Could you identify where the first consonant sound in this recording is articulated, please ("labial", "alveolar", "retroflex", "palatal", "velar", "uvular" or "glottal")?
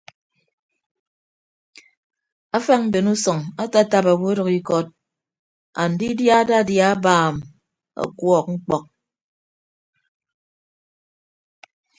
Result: labial